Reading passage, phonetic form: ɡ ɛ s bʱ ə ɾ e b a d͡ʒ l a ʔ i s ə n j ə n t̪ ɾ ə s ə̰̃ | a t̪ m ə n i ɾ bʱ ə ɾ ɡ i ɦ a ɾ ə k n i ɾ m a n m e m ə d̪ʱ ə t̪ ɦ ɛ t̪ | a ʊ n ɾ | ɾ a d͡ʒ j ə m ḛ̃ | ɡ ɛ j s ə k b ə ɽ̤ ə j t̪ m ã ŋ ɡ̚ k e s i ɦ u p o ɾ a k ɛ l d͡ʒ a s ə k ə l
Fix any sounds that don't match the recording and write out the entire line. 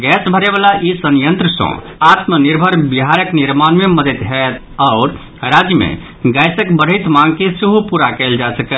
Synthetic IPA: ɡ ɛ s bʱ ə ɾ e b a l a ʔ i s ə n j ə n t̪ ɾ ə s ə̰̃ | a t̪ m ə n i ɾ bʱ ə ɾ b i ɦ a ɾ ə k n i ɾ m a n m e m ə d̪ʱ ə t̪ ɦ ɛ t̪ | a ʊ ɾ | ɾ a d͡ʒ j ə m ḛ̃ | ɡ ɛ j s ə k b ə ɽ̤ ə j t̪ m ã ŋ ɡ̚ k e s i ɦ u p u ɾ a k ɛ l d͡ʒ a s ə k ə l

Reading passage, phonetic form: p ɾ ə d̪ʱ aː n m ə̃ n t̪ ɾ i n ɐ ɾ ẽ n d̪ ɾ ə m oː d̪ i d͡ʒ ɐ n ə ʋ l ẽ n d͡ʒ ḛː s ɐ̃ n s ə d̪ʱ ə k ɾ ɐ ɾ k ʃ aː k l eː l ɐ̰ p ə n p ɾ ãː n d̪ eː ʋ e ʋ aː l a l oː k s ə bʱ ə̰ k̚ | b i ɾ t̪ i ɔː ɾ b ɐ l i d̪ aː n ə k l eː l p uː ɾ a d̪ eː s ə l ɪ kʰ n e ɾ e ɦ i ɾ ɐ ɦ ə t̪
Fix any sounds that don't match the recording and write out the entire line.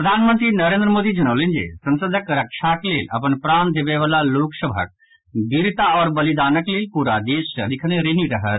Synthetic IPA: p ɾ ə d̪ʱ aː n m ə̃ n t̪ ɾ i n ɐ ɾ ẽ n d̪ ɾ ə m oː d̪ i d͡ʒ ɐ n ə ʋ l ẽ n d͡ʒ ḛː s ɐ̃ n s ə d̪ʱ ə k ɾ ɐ k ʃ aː k l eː l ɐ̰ p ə n p ɾ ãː n d̪ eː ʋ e ʋ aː l a l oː k s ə bʱ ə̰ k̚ | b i ɾ t̪ a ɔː ɾ b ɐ l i d̪ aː n ə k l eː l p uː ɾ a d̪ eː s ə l ɪ kʰ n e ɾ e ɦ i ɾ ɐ ɦ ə t̪

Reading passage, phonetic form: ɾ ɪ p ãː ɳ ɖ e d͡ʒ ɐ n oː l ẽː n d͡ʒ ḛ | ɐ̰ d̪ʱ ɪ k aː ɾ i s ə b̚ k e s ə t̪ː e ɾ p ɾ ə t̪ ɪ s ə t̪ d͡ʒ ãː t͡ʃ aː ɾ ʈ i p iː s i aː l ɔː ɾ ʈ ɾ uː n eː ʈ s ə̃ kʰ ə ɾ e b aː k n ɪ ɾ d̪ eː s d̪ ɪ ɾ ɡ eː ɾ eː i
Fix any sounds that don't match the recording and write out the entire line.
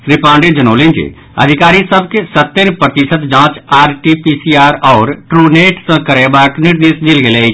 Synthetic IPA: ɾ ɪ p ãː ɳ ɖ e d͡ʒ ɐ n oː l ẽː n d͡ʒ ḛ | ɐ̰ d̪ʱ ɪ k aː ɾ i s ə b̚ k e s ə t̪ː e ɾ p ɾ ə t̪ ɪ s ə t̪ d͡ʒ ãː t͡ʃ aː ɾ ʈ i p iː s i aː ɾ ɔː ɾ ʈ ɾ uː n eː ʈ s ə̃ k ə ɾ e b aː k n ɪ ɾ d̪ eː s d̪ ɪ l ɡ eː l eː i

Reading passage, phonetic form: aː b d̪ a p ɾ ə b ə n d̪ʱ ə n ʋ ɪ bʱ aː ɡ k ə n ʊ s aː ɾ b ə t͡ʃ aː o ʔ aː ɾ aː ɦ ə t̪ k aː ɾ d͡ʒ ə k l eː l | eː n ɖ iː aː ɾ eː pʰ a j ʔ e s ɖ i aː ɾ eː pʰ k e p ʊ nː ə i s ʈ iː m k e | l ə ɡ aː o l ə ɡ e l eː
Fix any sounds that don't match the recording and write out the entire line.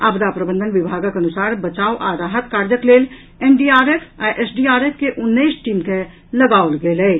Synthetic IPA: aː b d̪ a p ɾ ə b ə n d̪ʱ ə n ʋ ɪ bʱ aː ɡ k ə n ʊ s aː ɾ b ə t͡ʃ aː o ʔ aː ɾ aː ɦ ə t̪ k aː ɾ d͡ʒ ə k l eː l | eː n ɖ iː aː ɾ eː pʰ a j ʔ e s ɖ i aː ɾ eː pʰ k e ʔ ʊ nː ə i s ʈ iː m k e | l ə ɡ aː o l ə ɡ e l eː

